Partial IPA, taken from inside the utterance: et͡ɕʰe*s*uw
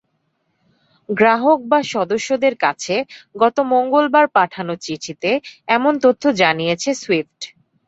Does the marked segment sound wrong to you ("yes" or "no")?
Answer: no